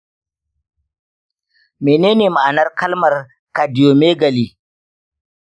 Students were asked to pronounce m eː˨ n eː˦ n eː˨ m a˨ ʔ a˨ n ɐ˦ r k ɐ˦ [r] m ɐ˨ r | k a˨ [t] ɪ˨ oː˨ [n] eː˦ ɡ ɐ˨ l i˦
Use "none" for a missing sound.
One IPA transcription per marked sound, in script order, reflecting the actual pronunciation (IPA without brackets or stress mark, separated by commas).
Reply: l, d, m